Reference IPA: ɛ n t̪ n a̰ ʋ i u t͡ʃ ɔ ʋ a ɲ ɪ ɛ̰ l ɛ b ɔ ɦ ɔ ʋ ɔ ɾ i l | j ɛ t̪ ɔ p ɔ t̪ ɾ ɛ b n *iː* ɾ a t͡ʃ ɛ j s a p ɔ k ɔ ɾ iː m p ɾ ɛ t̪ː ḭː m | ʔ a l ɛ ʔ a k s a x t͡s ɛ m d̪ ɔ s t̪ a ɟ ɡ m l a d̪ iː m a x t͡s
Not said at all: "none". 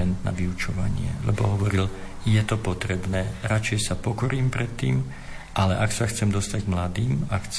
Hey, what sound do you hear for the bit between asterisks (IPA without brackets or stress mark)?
ɛː